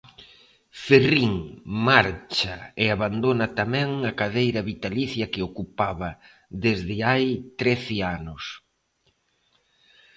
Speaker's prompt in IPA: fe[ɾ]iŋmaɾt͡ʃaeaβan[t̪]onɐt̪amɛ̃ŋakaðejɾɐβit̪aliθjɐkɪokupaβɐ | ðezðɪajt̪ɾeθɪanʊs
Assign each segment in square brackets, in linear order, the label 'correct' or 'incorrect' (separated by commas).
incorrect, incorrect